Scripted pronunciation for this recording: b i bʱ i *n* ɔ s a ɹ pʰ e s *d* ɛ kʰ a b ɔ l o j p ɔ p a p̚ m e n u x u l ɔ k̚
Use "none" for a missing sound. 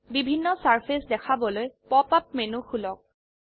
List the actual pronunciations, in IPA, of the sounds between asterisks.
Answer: nː, d

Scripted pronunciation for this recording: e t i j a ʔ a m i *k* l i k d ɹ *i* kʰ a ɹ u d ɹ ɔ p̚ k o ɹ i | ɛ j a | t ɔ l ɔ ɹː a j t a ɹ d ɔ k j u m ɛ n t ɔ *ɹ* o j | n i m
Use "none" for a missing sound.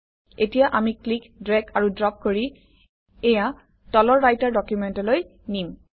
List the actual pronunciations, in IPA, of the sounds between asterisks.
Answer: k, ɛ, l

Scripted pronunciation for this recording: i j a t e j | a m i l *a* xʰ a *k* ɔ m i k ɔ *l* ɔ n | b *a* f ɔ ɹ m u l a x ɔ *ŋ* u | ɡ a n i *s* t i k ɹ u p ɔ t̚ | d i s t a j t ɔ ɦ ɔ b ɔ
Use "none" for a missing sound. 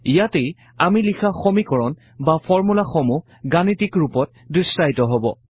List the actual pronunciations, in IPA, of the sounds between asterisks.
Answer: i, x, ɹ, a, m, none

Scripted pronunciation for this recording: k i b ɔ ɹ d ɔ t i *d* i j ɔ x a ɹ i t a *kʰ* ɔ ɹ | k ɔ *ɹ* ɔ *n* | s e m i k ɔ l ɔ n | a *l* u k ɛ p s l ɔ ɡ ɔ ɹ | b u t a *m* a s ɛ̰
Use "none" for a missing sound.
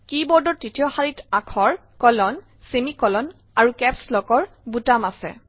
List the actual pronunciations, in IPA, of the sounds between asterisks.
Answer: t, kʰ, l, n, ɹ, m

